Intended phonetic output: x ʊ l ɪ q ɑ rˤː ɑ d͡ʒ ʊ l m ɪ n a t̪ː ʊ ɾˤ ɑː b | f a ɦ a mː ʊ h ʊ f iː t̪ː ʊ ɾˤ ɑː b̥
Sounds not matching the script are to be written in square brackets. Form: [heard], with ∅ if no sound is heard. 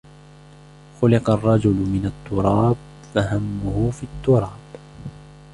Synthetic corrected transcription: x ʊ l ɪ q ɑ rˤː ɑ d͡ʒ ʊ l m ɪ n a t̪ː ʊ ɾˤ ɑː b | f a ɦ a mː ʊ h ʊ f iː t̪ː ʊ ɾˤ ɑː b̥